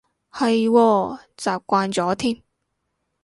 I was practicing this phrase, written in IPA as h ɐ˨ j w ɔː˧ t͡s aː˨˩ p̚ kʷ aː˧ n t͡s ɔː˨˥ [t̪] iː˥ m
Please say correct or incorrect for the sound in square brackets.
incorrect